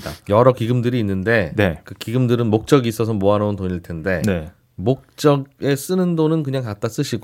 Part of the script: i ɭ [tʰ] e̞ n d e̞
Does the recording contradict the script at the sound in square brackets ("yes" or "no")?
no